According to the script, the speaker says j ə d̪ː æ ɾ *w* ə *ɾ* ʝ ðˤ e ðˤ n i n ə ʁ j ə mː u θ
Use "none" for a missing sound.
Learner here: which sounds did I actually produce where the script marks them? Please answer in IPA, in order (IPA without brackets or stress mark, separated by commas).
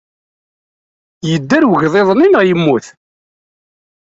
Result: w, none